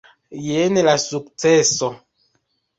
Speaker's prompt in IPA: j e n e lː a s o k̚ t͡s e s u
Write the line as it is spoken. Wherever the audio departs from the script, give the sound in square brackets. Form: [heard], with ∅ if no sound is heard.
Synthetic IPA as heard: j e n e [l] a s [u] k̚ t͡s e s [o]